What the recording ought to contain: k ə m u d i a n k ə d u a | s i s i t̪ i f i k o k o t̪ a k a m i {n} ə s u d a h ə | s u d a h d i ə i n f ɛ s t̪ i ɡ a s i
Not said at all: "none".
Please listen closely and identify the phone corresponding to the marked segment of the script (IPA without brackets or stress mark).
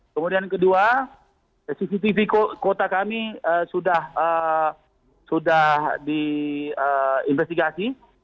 none